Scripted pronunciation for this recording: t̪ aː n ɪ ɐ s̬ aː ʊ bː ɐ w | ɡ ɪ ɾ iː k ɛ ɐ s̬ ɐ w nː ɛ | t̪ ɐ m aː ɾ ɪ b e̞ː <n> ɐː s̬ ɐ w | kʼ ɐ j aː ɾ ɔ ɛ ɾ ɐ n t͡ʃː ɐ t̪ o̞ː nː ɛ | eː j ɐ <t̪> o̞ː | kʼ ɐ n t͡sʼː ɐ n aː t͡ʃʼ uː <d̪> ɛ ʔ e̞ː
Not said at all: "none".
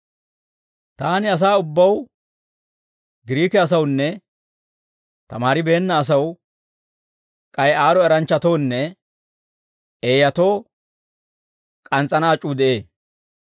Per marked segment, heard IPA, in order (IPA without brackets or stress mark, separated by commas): nː, t̪, d̪